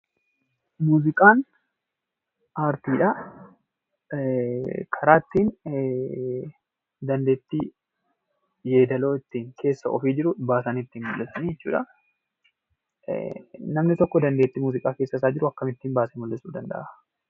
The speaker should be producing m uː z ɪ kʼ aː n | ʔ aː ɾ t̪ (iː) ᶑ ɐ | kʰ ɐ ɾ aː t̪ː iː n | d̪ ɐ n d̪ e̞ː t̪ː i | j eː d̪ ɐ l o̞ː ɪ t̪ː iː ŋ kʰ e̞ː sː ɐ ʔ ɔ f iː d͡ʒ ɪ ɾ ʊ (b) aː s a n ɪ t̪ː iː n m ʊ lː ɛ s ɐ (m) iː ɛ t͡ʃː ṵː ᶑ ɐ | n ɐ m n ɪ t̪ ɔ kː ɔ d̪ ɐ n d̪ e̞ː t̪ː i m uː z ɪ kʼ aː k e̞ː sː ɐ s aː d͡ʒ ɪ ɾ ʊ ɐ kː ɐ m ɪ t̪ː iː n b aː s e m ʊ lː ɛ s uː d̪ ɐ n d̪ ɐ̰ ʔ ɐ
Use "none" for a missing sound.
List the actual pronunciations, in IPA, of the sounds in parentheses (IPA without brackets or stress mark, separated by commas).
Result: iː, b, n